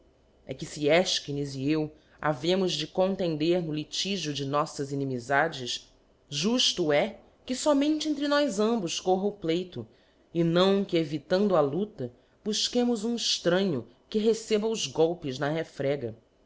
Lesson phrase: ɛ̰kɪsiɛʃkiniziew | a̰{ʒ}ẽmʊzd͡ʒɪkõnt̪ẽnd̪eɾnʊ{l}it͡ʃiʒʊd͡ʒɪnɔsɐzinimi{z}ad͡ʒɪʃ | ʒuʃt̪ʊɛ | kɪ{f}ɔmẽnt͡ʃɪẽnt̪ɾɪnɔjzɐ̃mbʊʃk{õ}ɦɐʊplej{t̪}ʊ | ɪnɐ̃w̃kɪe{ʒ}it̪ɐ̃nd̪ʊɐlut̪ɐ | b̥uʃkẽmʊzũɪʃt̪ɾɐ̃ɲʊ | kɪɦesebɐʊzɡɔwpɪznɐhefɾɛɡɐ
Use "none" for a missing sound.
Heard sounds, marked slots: v, l, z, s, o, t̪, v

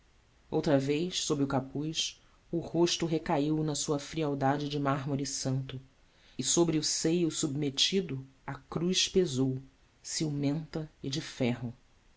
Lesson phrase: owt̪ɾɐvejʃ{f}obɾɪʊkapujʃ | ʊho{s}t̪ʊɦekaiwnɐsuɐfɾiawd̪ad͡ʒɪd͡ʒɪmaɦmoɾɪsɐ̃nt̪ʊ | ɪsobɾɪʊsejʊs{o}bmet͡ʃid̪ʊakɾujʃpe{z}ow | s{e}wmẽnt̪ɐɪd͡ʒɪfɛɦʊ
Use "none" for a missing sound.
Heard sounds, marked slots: s, ʃ, u, z, i

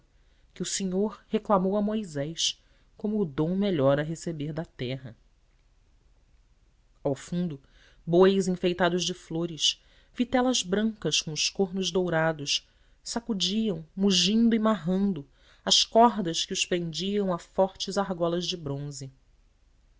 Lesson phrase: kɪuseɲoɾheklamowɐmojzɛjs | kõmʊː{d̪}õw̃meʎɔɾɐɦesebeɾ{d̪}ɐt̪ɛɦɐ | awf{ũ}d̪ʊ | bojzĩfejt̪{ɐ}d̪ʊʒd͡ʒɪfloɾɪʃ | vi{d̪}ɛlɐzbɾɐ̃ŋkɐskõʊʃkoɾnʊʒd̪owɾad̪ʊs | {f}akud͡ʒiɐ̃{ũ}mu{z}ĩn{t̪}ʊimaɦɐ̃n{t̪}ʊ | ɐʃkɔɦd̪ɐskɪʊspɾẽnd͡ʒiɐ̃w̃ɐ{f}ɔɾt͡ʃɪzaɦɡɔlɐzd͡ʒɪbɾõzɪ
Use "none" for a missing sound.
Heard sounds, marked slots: d̪, d̪, ũ, a, t̪, s, w̃, ʒ, d̪, d̪, f

